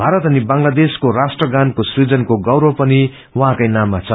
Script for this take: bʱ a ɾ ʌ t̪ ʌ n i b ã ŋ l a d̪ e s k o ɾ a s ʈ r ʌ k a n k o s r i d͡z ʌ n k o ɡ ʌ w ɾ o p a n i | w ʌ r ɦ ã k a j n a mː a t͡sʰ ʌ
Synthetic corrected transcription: bʱ a ɾ ʌ t̪ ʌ n i b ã ŋ l a d̪ e s k o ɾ a s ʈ r ʌ ɡ a n k o s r i d͡z ʌ n k o ɡ ʌ w ɾ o p ʌ n i | w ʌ ɦ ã k a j n a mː a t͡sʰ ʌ